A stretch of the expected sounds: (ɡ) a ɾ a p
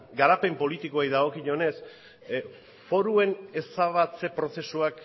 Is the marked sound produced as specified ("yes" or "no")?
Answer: yes